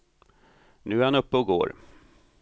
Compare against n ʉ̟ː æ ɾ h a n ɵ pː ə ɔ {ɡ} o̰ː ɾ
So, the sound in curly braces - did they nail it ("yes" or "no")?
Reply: yes